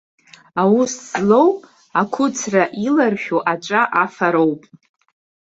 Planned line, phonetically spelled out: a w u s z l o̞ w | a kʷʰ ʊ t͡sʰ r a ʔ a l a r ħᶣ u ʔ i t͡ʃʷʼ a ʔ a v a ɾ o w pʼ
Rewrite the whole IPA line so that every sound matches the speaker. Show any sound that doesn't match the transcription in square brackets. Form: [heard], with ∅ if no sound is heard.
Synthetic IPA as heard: a w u s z l o̞ w | a kʷʰ ʊ t͡sʰ r a ʔ [i] l a r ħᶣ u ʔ [a] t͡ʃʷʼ a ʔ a [f] a ɾ o w pʼ